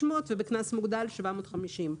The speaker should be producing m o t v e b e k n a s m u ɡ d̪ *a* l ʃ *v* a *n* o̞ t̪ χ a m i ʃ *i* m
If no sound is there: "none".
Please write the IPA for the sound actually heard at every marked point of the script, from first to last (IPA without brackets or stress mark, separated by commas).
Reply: a, v, m, i